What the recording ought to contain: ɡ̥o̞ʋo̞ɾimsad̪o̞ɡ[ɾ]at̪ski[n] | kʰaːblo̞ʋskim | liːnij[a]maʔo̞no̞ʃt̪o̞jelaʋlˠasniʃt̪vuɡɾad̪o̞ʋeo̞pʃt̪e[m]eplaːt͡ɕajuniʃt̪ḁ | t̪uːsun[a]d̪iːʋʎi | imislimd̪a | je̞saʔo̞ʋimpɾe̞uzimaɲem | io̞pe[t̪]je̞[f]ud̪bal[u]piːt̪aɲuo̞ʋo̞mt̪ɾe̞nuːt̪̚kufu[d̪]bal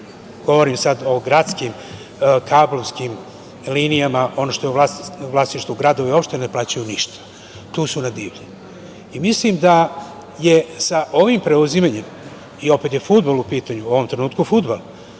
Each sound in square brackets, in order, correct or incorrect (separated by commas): correct, incorrect, correct, incorrect, correct, correct, correct, correct, correct